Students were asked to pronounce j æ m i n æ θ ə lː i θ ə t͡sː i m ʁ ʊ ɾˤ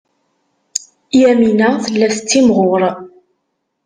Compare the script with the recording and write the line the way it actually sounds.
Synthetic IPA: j æ m i n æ θ ə lː æ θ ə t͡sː i m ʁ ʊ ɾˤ